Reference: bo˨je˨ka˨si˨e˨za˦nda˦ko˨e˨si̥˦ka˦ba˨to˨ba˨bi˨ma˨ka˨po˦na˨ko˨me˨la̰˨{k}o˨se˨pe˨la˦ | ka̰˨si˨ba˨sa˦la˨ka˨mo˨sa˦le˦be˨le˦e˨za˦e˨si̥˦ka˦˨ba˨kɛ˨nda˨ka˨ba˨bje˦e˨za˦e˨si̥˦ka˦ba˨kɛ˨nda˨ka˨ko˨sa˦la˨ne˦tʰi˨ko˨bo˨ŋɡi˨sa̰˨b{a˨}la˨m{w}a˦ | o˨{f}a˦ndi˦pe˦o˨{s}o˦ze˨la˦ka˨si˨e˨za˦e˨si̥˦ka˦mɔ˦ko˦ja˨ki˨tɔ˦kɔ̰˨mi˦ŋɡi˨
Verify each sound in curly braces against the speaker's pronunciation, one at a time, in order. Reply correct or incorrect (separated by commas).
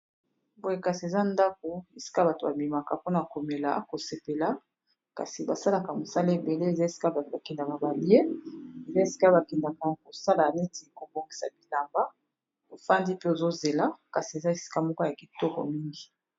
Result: correct, incorrect, incorrect, correct, incorrect